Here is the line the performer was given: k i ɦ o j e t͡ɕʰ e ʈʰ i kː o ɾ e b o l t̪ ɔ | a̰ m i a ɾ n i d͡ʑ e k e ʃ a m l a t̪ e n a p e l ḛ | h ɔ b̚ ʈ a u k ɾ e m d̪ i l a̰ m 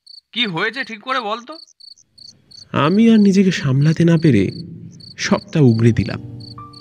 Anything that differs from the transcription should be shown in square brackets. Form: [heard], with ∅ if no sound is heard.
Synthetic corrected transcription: k i ɦ o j e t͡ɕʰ e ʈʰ i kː o ɾ e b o l t̪ [o] | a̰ m i a ɾ n i d͡ʑ e k e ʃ a m l a t̪ e n a p e [ɾ] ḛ | [ʃ] ɔ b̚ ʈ a u [ɡ] ɾ e [∅] d̪ i l a̰ m